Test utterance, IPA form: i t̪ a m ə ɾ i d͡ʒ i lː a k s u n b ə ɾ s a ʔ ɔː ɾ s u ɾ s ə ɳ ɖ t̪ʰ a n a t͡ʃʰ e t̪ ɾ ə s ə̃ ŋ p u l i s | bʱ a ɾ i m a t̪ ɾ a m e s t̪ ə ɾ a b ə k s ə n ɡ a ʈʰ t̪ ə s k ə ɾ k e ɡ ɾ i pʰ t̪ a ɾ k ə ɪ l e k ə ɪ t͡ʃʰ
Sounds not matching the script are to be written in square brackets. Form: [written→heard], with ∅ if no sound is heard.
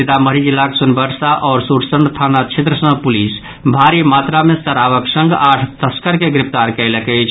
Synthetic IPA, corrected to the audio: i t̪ a m ə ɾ i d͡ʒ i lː a k s u n b ə ɾ s a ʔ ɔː ɾ s u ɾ s ə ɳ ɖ t̪ʰ a n a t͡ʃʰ e t̪ ɾ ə s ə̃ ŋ p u l i s | bʱ a ɾ i m a t̪ ɾ a m e s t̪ ə ɾ a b ə k s ə [n→ŋ] ɡ a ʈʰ t̪ ə s k ə ɾ k e ɡ ɾ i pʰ t̪ a ɾ k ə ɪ l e k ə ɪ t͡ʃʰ